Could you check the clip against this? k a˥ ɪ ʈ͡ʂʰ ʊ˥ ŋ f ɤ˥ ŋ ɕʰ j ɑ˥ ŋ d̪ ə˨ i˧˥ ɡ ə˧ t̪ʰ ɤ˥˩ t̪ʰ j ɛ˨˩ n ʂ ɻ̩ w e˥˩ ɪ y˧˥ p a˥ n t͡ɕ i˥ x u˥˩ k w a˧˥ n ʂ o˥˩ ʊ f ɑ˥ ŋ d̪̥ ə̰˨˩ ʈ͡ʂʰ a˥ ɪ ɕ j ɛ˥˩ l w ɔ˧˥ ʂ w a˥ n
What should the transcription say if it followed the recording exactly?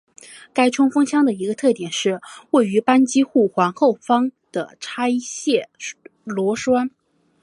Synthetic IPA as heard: k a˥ ɪ ʈ͡ʂʰ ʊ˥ ŋ f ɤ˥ ŋ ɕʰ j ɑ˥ ŋ d̪ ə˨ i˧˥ ɡ ə˧ t̪ʰ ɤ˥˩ t̪ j ɛ˨˩ n ʂ ɻ̩ w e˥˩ ɪ y˧˥ p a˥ n t͡ɕ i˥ x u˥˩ x w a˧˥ n x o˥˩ ʊ f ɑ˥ ŋ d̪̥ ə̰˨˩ ʈ͡ʂʰ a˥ ɪ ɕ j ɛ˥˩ l w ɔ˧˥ ʂ w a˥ n